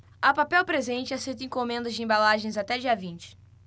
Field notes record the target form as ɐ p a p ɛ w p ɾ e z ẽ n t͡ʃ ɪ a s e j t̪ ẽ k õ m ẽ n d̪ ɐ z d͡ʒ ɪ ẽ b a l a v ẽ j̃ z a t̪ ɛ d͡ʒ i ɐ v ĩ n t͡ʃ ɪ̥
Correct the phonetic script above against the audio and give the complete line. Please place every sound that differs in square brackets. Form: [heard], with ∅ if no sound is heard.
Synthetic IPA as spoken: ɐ p a p ɛ w p ɾ e z ẽ n t͡ʃ ɪ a s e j t̪ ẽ k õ m ẽ n d̪ ɐ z d͡ʒ ɪ ẽ b a l a [ʒ] ẽ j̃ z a t̪ ɛ d͡ʒ i ɐ v ĩ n t͡ʃ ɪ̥